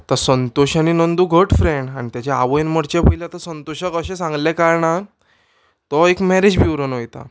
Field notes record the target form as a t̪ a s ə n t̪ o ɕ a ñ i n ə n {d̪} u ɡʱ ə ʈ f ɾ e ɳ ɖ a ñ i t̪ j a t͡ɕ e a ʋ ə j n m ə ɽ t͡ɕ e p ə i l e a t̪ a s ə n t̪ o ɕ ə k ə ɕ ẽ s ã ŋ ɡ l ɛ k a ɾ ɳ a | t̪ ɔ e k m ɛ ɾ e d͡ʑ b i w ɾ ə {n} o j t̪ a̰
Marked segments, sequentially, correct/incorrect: correct, correct

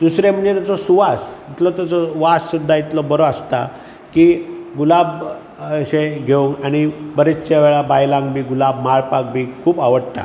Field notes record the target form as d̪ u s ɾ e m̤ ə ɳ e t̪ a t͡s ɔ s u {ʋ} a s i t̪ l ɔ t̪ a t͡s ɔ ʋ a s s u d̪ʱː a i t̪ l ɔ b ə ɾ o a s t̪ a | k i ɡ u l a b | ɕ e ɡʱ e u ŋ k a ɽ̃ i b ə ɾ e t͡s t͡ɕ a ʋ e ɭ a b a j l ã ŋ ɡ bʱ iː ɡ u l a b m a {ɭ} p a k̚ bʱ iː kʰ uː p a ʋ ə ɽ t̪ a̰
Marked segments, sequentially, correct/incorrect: correct, correct

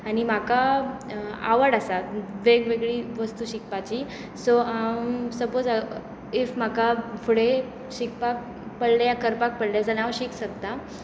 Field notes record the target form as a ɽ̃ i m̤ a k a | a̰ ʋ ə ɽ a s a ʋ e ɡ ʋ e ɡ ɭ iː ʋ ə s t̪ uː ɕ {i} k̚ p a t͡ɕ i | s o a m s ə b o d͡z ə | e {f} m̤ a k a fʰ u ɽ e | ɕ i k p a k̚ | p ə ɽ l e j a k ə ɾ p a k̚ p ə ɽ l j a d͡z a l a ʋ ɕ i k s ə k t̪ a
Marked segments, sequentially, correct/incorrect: correct, correct

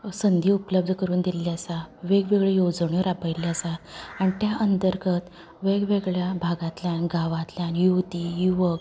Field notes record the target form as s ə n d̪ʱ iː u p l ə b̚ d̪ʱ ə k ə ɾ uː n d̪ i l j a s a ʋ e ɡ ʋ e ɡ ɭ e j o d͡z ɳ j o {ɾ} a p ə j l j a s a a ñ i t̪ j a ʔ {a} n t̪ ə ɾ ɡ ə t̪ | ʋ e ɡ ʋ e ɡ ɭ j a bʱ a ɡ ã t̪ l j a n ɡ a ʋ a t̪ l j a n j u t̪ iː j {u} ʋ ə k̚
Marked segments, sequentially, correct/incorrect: correct, incorrect, correct

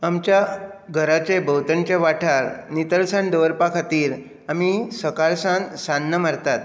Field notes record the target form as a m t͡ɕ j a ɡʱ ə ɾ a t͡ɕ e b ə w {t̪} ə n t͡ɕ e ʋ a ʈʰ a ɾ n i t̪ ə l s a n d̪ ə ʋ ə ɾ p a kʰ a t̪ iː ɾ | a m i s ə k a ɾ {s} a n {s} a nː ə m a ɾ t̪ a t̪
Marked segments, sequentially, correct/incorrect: correct, correct, correct

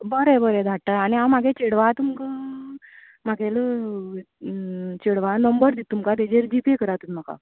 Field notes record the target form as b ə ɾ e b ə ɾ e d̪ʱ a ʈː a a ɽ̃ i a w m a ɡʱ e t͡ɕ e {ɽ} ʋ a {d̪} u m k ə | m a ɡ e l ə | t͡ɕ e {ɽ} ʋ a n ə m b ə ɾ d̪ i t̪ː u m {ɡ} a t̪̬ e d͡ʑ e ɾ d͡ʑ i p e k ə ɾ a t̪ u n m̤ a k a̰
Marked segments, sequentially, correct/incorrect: correct, incorrect, correct, incorrect

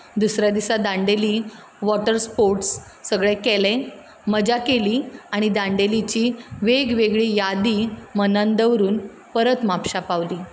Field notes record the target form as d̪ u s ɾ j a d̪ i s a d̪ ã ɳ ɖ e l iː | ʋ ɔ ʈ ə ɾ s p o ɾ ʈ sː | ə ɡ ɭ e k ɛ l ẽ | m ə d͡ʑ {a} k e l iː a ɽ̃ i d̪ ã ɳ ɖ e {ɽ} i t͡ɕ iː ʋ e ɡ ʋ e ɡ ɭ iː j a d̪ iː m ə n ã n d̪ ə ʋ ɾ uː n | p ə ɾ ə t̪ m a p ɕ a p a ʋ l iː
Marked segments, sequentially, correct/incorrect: correct, incorrect

